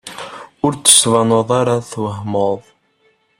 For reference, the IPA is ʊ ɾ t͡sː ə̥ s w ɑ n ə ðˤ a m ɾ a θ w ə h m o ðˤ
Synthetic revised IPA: ʊ ɾ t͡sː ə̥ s v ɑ n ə ðˤ a ɾ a θ w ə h m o ðˤ